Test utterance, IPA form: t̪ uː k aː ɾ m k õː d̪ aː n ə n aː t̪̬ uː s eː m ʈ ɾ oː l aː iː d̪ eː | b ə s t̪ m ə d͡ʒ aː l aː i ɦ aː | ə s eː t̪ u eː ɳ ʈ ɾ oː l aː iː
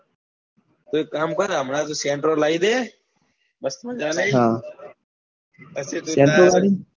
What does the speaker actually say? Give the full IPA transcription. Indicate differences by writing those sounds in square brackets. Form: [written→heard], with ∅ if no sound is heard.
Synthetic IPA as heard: t̪ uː k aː [ɾ→∅] m k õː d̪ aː [n→m] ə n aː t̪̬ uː s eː [m→ɳ] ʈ ɾ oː l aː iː d̪ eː | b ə s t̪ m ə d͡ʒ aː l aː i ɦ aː | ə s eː t̪ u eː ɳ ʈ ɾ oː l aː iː